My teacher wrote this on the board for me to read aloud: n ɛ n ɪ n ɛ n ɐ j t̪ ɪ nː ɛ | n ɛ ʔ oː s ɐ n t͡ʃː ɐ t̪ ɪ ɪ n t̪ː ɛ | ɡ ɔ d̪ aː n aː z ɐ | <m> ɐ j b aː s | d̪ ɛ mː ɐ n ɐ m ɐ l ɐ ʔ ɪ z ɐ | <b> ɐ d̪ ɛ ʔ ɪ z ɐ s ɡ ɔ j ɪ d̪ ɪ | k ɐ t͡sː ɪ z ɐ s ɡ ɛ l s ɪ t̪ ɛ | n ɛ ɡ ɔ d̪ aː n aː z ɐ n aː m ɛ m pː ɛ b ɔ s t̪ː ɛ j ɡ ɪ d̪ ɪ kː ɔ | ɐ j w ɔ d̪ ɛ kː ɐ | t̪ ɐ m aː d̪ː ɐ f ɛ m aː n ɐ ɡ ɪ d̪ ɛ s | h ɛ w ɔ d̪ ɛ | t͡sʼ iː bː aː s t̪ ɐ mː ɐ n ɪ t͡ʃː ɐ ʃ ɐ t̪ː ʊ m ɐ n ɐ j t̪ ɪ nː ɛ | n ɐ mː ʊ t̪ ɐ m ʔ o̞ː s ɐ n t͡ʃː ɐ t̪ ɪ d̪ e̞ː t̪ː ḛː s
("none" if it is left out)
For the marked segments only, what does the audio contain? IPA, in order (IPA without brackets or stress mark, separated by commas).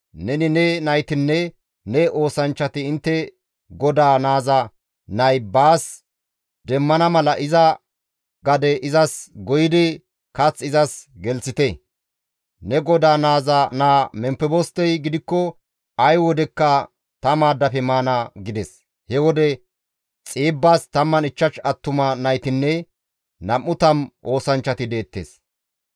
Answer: n, ɡ